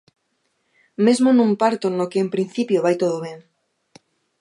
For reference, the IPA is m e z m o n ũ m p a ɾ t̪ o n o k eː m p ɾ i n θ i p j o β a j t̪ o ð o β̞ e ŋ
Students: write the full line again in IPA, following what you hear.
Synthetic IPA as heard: m e z m o n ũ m p a ɾ t̪ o n o k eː m p ɾ i n θ i p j o β a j t̪ o ð o β̞ e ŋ

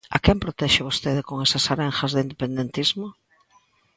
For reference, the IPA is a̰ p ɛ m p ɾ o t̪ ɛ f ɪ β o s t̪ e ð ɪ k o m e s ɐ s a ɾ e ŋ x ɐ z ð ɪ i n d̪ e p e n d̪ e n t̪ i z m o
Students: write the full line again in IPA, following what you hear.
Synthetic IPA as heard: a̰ k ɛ m p ɾ o t̪ ɛ ʃ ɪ β o s t̪ e ð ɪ k o ŋ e s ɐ s a ɾ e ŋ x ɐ z ð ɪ i n d̪ e p e n d̪ e n t̪ i z m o

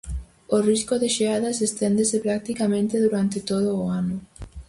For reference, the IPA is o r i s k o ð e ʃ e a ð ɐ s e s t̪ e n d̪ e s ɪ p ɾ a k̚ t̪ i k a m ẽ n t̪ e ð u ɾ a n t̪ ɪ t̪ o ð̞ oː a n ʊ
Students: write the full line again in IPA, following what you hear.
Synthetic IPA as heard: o r i s k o ð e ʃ e a ð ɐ s e s t̪ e n d̪ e s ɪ p ɾ a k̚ t̪ i k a m ẽ n t̪ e ð u ɾ a n t̪ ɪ t̪ o ð̞ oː a n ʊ

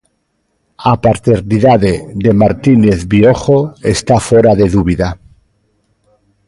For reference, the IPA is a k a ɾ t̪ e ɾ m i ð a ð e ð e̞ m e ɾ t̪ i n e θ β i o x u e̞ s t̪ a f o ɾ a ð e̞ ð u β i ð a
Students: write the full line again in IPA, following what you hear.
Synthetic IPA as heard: a p a ɾ t̪ e ɾ n i ð a ð e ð e̞ m a ɾ t̪ i n e θ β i o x o e̞ s t̪ a f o ɾ a ð e̞ ð u β i ð a

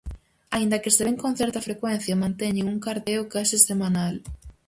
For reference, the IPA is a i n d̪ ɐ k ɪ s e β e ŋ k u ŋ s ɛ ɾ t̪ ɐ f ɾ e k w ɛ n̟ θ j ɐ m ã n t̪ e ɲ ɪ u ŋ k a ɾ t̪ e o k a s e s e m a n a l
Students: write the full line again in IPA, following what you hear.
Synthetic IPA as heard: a i n d̪ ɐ k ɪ s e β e ŋ k o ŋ θ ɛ ɾ t̪ ɐ f ɾ e k w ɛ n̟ θ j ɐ m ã n t̪ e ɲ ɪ u ŋ k a ɾ t̪ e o k a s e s e m a n a l

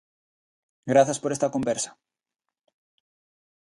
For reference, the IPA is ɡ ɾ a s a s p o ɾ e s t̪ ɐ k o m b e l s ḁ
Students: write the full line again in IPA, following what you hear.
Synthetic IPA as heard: ɡ ɾ a θ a s p o ɾ e s t̪ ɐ k o m b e ɾ s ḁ

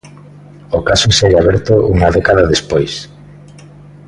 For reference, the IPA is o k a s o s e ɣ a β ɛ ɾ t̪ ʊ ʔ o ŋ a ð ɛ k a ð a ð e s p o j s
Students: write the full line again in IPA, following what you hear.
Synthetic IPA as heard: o k a s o s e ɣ a β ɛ ɾ t̪ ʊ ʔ u ŋ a ð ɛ k a ð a ð e s p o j s

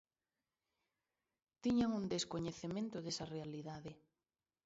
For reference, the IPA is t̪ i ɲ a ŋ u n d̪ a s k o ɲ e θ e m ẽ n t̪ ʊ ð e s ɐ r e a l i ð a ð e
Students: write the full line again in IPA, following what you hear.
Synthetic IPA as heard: t̪ i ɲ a ŋ u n d̪ e s k o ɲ e θ e m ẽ n t̪ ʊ ð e s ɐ r e a l i ð a ð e

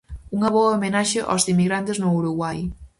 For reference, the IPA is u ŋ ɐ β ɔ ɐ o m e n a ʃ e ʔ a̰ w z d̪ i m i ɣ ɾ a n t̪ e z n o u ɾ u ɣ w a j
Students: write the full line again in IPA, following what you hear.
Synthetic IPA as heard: u ŋ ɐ β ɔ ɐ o m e n a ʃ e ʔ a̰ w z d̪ i m i ɣ ɾ a n t̪ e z n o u ɾ u ɣ w a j

